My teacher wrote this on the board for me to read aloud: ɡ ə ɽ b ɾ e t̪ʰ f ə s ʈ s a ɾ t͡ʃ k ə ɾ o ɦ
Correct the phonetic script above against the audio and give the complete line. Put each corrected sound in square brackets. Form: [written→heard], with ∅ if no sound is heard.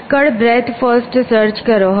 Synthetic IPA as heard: [ɡ→k] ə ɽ b ɾ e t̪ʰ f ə s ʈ s [a→ə] ɾ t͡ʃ k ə ɾ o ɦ